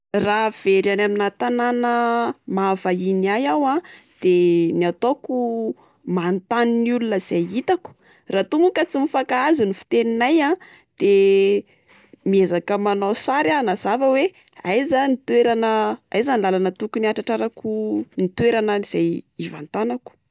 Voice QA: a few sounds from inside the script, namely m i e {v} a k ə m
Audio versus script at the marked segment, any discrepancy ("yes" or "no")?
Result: yes